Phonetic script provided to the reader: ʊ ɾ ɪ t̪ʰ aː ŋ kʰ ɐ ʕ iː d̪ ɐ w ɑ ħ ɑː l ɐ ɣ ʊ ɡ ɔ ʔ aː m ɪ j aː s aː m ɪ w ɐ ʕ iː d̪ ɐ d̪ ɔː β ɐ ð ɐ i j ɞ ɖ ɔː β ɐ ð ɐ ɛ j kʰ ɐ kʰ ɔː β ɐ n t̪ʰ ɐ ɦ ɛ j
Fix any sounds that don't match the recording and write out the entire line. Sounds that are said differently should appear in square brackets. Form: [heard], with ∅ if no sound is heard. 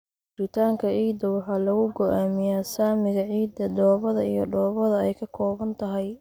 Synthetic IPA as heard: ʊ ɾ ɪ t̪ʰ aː ŋ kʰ ɐ ʕ iː d̪ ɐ w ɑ ħ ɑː l ɐ ɣ ʊ ɡ ɔ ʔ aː m ɪ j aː s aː m ɪ [ɣ] ɐ ʕ iː d̪ ɐ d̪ ɔː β ɐ ð ɐ i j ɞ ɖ ɔː β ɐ ð ɐ ɛ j kʰ ɐ kʰ ɔː β ɐ n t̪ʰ ɐ ɦ ɛ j